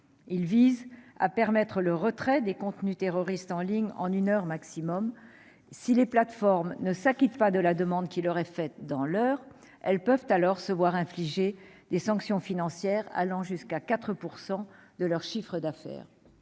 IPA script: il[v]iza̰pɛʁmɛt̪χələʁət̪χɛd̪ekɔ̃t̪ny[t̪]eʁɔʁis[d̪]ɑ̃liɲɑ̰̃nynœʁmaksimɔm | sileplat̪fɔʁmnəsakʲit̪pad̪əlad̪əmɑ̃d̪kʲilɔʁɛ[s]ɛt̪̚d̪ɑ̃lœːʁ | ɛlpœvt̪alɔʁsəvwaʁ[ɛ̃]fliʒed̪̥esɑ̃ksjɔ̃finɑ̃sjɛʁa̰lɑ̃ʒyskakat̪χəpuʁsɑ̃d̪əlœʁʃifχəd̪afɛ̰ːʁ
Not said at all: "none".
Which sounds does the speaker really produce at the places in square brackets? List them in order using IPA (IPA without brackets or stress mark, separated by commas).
v, t̪, t̪, f, ɛ̃